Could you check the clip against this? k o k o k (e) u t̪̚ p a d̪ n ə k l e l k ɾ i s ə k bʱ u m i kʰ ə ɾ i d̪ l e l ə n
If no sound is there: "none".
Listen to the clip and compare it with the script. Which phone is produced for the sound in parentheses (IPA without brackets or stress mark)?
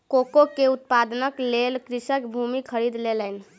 e